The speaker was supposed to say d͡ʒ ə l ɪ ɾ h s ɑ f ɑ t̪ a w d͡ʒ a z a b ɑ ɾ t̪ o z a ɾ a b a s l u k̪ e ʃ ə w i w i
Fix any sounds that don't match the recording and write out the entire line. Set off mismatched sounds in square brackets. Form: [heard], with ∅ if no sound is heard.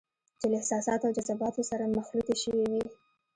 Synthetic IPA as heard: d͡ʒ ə l ɪ [∅] h s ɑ [s] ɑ t̪ a w d͡ʒ a z a b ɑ [∅] t̪ o [s] a ɾ a [m] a [x] l u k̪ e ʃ ə w i w i